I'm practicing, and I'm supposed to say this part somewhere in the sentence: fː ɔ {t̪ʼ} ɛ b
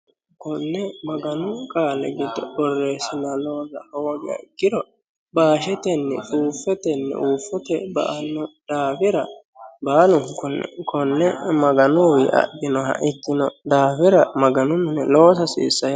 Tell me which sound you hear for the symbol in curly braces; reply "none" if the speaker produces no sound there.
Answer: t̪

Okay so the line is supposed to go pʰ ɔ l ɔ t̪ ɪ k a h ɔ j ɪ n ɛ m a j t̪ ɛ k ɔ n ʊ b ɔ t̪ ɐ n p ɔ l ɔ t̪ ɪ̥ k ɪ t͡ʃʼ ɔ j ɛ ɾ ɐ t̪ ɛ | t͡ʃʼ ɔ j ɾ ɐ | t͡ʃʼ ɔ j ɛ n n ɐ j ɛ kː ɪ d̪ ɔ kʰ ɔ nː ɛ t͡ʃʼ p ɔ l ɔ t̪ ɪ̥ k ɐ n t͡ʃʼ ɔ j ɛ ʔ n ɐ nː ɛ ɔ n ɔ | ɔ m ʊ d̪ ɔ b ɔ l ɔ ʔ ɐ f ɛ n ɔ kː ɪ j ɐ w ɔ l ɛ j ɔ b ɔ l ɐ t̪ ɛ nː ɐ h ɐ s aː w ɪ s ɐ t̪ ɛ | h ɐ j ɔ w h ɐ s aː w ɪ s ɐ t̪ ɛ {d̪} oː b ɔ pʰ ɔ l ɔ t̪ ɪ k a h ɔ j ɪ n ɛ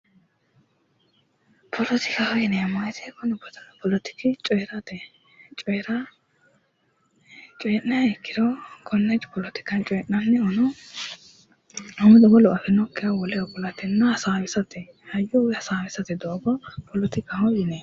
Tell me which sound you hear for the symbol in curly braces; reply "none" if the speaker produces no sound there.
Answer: d̪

